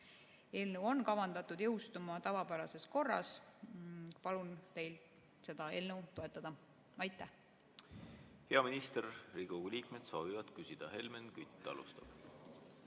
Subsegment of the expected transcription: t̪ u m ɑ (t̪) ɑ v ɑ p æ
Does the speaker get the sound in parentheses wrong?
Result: no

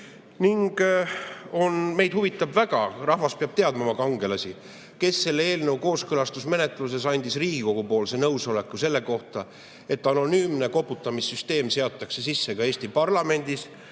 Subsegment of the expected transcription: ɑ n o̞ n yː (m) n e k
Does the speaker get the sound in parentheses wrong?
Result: no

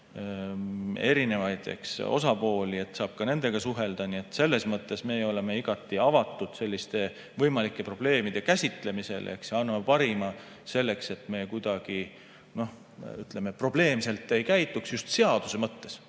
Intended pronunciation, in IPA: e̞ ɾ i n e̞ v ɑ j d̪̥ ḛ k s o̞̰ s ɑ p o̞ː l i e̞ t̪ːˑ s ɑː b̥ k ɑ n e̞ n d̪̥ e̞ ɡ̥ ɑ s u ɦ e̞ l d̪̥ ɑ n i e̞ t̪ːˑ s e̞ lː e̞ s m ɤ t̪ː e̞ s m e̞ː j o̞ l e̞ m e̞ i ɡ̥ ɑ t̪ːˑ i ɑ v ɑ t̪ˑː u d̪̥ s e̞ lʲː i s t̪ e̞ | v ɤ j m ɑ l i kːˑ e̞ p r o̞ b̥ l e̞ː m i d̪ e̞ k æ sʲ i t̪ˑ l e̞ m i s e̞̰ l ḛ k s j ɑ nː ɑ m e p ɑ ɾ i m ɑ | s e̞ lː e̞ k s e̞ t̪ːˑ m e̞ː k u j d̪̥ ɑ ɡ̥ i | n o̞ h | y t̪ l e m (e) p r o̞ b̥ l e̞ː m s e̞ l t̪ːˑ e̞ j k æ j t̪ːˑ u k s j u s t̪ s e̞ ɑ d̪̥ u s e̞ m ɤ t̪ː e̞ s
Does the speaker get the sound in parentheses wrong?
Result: no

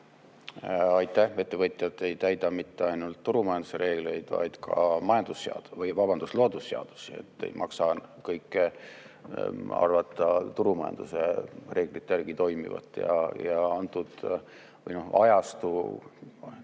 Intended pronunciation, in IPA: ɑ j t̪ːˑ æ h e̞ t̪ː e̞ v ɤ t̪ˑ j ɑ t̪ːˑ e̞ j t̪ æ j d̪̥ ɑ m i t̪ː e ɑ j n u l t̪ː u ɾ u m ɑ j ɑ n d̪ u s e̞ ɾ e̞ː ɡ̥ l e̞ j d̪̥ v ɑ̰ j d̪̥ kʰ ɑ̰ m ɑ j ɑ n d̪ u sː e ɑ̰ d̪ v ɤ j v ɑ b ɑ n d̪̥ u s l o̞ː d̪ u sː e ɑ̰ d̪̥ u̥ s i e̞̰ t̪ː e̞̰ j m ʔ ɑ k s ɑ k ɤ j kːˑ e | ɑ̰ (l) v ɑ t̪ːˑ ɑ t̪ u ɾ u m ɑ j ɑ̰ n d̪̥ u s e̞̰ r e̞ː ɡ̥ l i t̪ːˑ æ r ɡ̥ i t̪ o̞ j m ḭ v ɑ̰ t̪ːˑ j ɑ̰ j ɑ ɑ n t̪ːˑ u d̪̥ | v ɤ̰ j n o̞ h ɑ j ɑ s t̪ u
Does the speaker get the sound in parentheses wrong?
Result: yes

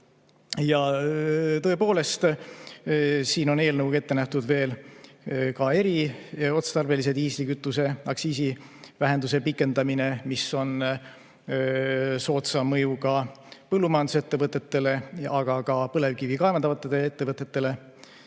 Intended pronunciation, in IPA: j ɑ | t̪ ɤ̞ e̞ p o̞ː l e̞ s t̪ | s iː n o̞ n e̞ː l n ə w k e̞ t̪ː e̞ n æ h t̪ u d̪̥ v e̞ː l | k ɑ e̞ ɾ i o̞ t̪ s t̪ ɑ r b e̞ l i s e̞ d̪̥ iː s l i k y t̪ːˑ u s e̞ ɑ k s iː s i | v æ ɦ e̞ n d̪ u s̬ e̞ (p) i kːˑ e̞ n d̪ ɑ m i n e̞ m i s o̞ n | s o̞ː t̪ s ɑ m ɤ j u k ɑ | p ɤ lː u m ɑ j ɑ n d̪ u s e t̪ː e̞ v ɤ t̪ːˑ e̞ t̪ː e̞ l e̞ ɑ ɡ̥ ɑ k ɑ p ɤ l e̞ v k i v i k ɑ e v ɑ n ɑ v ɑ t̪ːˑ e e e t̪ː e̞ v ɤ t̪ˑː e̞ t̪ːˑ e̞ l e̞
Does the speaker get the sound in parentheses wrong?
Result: no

